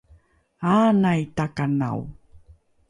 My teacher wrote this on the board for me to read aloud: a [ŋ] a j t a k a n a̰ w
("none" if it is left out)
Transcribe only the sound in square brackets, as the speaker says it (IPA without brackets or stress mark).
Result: n